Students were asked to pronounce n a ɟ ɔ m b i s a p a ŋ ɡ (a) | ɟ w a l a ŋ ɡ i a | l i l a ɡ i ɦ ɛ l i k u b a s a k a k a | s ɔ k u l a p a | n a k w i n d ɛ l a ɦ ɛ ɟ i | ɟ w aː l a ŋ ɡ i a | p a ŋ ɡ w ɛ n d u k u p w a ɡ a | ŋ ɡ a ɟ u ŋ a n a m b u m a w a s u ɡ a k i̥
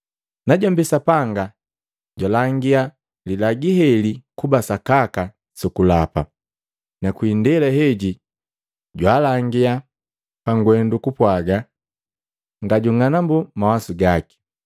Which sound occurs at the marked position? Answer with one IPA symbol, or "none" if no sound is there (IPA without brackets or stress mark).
a